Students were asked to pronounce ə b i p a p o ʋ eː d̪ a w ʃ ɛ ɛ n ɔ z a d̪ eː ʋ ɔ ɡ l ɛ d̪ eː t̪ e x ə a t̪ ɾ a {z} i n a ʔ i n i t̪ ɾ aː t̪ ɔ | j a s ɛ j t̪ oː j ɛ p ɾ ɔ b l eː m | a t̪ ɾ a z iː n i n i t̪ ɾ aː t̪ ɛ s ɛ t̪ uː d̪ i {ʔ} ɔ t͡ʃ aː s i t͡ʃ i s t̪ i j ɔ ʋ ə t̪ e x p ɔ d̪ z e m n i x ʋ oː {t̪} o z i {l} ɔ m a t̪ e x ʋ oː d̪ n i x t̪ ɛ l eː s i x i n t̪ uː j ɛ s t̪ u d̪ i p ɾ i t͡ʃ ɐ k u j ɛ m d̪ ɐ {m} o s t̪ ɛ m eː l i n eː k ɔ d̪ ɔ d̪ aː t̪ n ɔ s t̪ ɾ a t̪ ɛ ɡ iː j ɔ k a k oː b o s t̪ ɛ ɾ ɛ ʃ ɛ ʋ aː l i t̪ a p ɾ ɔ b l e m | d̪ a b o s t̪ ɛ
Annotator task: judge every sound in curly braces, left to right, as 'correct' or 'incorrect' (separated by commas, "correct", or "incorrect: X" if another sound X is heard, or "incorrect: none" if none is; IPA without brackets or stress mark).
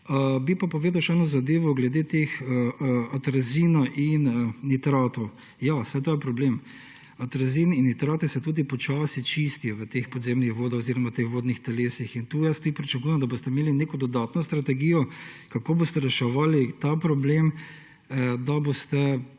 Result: correct, incorrect: p, incorrect: d̪, incorrect: ɾ, incorrect: b